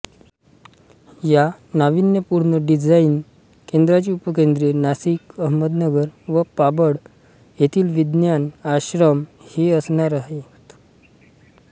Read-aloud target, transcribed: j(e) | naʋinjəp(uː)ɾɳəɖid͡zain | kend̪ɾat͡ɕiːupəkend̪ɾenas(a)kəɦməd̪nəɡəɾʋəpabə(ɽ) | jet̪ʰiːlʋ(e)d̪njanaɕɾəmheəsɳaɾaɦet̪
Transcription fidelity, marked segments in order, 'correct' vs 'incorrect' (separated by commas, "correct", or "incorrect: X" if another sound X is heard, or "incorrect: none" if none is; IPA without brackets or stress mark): incorrect: a, incorrect: u, incorrect: i, correct, incorrect: i